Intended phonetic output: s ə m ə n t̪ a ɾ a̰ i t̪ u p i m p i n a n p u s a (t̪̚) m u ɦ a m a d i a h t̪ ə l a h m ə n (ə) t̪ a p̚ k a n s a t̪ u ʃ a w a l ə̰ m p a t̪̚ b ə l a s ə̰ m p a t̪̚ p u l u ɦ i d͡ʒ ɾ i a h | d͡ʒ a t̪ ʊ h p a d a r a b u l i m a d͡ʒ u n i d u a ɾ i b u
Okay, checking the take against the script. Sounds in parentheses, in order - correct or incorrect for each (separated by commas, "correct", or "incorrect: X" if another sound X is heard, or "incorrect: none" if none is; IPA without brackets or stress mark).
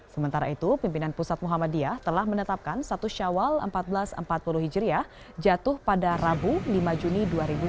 correct, correct